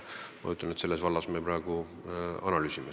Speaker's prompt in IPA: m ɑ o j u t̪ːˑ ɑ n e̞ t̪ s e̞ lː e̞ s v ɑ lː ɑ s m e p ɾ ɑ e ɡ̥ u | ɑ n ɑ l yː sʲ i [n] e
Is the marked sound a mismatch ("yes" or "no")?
yes